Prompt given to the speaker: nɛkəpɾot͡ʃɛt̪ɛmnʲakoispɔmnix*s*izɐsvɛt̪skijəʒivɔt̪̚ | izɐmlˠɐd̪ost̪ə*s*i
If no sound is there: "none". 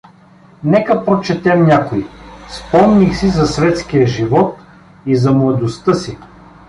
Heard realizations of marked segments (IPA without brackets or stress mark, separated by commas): s, s